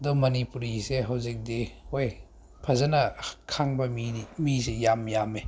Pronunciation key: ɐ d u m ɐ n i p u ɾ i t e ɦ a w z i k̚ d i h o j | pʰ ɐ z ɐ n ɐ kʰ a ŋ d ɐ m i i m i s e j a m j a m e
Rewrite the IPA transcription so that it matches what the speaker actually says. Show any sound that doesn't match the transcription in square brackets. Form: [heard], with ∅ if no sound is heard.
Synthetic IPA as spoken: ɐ d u m ɐ n i p u ɾ i [s] e ɦ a w z i k̚ d i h o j | pʰ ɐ z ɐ n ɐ kʰ a ŋ [b] ɐ m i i m i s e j a m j a m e